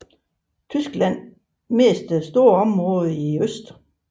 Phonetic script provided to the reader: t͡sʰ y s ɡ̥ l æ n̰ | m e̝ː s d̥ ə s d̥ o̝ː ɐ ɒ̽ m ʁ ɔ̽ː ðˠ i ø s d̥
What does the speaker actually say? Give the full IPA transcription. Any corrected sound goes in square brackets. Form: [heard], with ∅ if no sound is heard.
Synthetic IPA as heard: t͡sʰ y s ɡ̥ l æ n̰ | m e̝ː s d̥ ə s d̥ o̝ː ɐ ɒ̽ m ʁ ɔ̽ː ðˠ i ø s d̥